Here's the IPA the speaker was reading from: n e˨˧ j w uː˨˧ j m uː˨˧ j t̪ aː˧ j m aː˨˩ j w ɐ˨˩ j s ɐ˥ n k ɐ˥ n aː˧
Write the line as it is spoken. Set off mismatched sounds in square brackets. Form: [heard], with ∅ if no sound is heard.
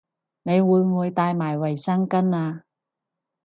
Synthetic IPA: n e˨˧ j w uː˨˧ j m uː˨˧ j t̪ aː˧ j m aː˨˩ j w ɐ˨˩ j s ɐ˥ [ŋ] k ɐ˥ n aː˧